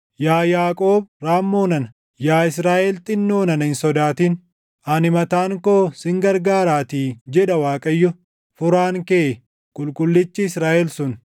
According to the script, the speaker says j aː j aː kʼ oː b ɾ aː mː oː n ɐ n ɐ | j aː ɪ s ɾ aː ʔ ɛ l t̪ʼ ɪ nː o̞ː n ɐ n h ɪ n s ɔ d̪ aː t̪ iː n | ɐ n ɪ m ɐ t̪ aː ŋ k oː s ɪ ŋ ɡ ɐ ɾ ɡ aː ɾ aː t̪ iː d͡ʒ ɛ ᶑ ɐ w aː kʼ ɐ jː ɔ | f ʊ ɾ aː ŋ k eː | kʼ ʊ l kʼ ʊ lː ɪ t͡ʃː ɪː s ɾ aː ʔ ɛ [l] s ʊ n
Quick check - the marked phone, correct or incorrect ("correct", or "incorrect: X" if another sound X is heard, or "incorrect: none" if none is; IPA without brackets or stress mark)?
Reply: correct